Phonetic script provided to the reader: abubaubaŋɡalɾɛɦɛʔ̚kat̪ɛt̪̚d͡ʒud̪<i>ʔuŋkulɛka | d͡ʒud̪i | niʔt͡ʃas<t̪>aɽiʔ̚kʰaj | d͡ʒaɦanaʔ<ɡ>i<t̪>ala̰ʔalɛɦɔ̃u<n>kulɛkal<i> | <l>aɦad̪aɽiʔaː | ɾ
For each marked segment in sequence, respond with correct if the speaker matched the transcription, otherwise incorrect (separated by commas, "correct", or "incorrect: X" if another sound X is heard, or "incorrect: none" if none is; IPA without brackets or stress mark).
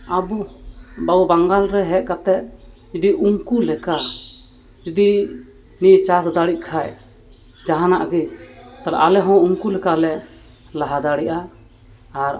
correct, incorrect: d̪, correct, correct, incorrect: ŋ, incorrect: ɛ, correct